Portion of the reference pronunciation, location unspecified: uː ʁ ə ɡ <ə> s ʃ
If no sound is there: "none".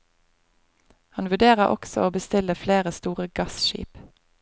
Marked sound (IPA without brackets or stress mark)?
ɑ